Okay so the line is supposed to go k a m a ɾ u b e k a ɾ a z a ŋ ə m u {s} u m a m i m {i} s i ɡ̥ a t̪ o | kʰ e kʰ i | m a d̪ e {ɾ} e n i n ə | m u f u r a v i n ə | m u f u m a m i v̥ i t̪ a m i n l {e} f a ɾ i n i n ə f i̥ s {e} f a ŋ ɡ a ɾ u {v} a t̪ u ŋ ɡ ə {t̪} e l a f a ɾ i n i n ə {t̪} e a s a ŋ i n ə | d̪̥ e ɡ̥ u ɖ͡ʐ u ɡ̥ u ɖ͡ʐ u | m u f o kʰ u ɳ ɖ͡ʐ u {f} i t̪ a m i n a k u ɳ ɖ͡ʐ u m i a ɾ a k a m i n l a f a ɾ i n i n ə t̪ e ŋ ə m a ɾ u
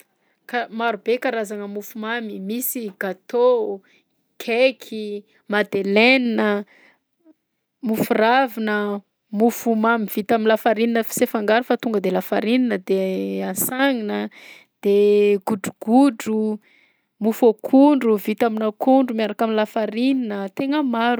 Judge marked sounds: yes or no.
no, yes, no, no, yes, no, no, no, no

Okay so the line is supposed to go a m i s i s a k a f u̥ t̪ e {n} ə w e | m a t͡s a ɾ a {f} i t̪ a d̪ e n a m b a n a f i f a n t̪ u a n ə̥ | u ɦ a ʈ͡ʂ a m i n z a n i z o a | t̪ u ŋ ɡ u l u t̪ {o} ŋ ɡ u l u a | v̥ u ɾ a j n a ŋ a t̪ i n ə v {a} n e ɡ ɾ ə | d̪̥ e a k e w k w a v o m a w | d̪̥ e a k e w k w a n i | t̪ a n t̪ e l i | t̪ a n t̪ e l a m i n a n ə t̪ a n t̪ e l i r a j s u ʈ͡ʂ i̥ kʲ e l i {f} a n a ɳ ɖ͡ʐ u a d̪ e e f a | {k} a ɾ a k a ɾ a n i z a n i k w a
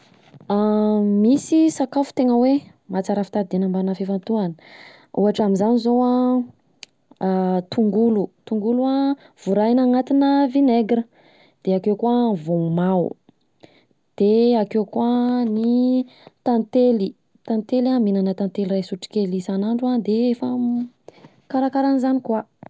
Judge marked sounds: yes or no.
no, yes, no, no, no, yes

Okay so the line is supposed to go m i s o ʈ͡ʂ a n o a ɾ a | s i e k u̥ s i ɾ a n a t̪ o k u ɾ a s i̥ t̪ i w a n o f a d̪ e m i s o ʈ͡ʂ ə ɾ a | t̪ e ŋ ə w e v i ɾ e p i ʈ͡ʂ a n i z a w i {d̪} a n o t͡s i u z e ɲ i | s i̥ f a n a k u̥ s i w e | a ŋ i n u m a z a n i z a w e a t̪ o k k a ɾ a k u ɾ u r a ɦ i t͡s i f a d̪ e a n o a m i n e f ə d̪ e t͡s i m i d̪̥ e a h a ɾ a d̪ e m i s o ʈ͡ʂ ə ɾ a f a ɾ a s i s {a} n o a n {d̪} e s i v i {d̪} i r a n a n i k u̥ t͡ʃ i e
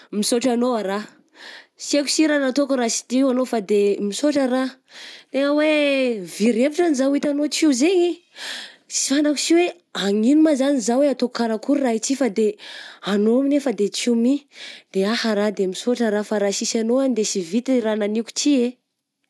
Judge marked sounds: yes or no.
no, yes, yes, no

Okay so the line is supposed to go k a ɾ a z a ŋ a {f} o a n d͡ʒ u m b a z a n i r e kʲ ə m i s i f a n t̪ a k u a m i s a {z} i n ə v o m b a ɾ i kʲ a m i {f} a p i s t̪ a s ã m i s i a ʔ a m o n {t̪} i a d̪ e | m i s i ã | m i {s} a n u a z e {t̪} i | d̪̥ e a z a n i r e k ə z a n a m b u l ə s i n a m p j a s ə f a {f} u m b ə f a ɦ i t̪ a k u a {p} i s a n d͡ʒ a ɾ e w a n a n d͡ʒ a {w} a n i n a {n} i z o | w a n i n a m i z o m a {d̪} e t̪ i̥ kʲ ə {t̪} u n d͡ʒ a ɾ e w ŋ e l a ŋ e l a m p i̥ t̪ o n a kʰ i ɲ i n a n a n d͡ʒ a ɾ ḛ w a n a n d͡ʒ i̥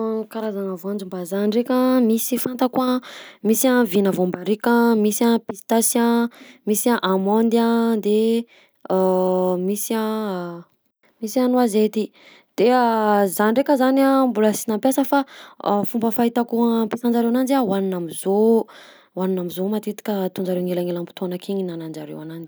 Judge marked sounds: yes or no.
no, no, no, no, yes, yes, yes, yes, yes, no, no, yes

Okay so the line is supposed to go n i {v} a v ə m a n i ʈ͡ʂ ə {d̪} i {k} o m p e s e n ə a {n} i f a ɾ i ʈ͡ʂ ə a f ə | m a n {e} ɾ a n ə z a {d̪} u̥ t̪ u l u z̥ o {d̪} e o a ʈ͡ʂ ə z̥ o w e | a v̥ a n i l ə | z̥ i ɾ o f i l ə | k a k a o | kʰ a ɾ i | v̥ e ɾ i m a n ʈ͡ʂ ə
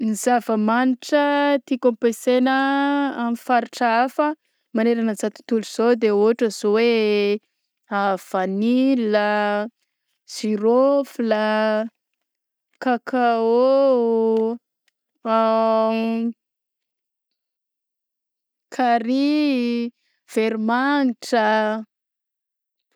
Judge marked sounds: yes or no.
no, no, yes, no, yes, no, yes

